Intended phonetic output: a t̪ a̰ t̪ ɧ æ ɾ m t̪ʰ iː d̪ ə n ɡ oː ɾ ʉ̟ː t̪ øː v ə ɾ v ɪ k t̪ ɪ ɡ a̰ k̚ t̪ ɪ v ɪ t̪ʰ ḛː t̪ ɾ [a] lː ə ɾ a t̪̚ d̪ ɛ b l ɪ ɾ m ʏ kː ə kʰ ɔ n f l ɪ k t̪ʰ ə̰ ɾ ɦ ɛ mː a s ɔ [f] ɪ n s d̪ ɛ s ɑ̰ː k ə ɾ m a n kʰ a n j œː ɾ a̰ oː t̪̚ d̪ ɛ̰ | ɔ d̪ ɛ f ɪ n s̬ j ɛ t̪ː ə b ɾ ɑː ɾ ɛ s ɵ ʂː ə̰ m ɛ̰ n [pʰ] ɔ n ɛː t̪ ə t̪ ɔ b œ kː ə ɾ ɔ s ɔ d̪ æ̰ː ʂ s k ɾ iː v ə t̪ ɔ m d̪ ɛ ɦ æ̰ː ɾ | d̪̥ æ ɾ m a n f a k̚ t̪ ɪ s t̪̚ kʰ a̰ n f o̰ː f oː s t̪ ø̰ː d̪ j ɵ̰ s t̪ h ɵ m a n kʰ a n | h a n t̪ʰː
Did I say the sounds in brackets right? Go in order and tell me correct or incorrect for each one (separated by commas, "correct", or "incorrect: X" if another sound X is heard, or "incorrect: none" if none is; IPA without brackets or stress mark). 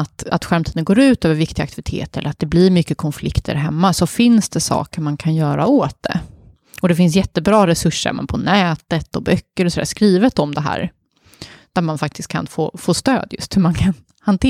incorrect: ɛ, correct, correct